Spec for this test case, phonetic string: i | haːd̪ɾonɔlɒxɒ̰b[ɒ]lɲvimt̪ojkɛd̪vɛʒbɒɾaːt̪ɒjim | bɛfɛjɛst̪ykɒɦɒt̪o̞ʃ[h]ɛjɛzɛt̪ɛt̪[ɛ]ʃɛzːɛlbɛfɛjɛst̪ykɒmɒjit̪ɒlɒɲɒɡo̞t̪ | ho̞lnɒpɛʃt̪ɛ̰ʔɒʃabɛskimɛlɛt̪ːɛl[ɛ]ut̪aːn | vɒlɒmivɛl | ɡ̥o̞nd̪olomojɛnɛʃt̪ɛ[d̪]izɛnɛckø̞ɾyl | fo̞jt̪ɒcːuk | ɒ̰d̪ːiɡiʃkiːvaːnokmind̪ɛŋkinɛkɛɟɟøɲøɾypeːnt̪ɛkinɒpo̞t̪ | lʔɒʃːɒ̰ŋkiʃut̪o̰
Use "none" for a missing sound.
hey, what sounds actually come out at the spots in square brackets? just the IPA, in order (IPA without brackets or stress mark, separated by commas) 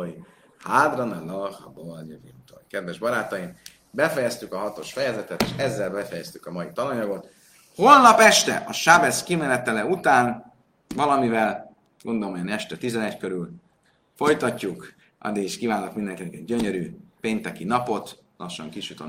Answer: o, f, e, ɛ, t̪